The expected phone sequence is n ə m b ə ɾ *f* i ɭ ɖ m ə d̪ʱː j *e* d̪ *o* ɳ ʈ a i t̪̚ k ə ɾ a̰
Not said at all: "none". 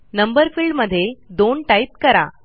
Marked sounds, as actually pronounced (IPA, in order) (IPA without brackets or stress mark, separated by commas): f, e, o